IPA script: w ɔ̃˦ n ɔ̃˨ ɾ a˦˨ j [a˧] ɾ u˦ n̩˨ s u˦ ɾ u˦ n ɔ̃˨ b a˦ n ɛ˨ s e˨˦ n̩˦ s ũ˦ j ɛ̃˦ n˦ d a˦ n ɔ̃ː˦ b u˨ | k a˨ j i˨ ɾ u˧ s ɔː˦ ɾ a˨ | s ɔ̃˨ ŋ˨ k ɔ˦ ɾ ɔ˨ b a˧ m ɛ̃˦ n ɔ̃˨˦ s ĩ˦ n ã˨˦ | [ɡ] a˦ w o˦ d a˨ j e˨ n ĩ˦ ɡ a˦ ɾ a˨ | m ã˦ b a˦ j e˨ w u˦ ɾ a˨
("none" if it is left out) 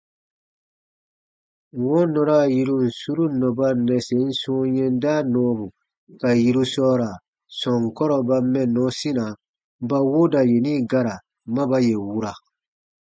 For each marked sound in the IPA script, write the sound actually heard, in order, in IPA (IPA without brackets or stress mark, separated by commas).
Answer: i˧, b